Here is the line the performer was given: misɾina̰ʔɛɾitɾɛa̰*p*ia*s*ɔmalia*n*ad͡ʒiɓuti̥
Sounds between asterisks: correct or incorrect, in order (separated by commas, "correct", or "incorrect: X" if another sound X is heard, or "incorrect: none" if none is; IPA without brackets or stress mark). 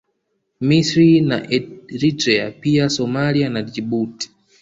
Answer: correct, correct, correct